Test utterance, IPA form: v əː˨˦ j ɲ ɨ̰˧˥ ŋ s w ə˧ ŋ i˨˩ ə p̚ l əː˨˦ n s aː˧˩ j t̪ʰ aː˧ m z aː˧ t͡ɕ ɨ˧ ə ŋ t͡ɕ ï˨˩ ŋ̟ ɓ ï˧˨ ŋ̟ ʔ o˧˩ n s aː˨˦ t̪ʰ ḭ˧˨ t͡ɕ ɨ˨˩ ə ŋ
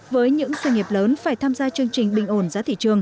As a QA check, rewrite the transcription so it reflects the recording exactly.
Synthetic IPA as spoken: v əː˨˦ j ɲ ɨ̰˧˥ ŋ s w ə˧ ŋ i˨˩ ə p̚ l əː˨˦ n f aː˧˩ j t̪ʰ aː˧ m z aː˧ t͡ɕ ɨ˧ ə ŋ t͡ɕ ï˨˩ ŋ̟ ɓ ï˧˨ ŋ̟ ʔ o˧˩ n z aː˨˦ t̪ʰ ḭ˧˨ t͡ɕ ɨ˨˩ ə ŋ